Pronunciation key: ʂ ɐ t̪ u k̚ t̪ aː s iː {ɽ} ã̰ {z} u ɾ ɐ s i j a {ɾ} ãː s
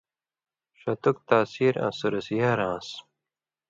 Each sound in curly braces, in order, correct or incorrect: incorrect, incorrect, correct

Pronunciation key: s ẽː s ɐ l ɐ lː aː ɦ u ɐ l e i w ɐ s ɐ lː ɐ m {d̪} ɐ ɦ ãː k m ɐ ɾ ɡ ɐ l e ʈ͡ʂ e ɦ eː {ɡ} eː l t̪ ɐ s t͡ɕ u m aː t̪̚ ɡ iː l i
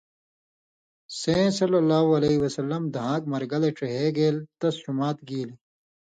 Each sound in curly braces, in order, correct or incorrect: correct, correct

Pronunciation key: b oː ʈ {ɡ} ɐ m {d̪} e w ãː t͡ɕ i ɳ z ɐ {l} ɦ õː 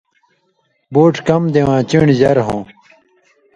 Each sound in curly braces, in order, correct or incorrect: incorrect, correct, incorrect

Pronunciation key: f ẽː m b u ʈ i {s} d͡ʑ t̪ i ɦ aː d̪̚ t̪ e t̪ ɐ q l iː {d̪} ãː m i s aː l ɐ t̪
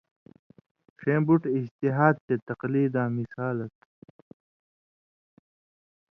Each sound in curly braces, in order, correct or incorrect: incorrect, correct

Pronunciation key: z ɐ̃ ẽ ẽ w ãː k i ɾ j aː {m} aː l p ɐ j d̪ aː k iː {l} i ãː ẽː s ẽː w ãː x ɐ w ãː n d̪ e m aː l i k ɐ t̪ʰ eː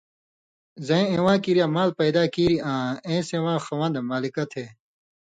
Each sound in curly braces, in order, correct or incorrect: correct, incorrect

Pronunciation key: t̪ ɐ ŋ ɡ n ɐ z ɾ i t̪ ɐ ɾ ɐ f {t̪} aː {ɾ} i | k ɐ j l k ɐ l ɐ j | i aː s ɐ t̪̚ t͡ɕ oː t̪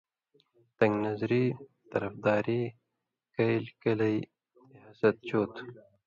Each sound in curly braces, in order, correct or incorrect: incorrect, correct

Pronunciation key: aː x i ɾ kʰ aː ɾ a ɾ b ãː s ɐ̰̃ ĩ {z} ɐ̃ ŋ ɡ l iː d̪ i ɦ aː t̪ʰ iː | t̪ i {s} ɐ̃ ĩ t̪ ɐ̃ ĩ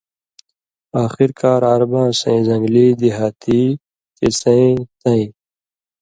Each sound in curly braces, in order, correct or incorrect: correct, correct

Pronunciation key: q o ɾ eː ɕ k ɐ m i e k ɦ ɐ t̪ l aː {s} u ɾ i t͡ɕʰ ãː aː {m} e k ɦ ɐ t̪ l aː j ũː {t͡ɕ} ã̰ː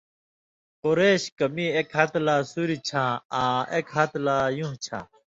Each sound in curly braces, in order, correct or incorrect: correct, incorrect, incorrect

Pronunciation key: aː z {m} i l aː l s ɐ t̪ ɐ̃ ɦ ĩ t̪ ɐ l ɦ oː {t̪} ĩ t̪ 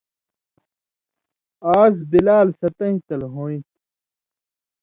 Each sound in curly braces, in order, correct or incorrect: incorrect, incorrect

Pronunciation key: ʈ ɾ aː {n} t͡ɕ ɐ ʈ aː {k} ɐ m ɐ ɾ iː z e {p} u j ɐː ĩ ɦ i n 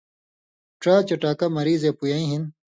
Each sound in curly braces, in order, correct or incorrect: incorrect, correct, correct

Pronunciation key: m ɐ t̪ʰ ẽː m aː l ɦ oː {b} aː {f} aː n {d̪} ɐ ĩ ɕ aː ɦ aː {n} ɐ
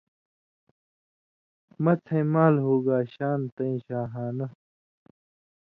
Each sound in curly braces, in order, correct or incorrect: incorrect, incorrect, incorrect, correct

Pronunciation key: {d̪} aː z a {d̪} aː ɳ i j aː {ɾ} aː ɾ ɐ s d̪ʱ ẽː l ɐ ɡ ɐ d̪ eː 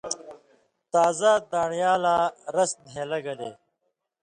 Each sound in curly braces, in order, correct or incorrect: incorrect, correct, incorrect

